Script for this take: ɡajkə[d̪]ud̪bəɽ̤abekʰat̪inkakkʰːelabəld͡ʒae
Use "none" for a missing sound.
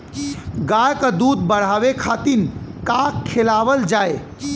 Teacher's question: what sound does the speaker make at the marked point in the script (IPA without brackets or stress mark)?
d̪